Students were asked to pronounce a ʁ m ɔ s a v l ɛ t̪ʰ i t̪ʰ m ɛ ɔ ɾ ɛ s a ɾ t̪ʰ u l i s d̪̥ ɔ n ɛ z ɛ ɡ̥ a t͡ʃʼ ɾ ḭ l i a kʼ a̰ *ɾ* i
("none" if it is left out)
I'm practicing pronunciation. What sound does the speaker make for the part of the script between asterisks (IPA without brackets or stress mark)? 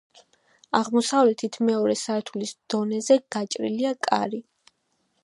ɾ